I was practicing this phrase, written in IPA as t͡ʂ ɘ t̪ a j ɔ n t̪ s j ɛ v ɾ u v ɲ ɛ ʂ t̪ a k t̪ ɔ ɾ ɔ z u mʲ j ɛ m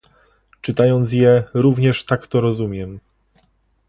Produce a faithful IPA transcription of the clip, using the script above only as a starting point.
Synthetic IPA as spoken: t͡ʂ ɘ t̪ a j ɔ n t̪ s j ɛ ɾ u v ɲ ɛ ʂ t̪ a k t̪ ɔ ɾ ɔ z u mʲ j ɛ m